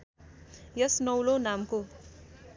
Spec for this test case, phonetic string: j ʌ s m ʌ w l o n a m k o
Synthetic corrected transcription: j ʌ s n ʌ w l o n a m k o